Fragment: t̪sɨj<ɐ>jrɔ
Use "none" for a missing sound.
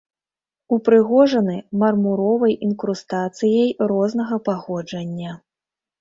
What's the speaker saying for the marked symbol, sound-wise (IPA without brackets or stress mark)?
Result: ɐ